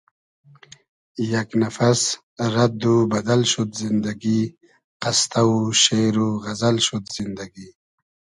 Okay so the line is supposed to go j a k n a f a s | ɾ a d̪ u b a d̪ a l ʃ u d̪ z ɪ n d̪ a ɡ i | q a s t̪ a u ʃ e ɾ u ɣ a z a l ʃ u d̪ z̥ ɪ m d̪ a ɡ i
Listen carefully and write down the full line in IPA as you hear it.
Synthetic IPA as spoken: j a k n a f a s | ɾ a d̪ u b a d̪ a l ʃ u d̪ z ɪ n d̪ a ɡ i | q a s t̪ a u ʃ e ɾ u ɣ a z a l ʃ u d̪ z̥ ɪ n d̪ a ɡ i